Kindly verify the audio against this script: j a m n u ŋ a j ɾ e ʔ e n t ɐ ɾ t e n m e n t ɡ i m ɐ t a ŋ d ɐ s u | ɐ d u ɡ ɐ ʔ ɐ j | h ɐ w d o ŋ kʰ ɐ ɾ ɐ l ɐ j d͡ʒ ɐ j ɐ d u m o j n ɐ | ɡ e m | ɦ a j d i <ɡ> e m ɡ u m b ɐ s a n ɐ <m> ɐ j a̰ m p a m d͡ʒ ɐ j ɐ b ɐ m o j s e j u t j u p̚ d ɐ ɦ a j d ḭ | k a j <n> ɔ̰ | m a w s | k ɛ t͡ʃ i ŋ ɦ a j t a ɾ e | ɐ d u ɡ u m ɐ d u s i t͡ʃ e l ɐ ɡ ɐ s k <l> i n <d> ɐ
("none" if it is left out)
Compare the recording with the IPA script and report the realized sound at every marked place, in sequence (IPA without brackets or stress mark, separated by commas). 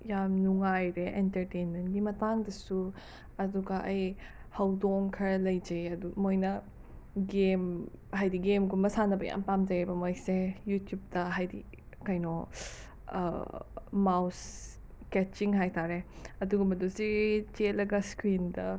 ɡ, b, n, ɾ, d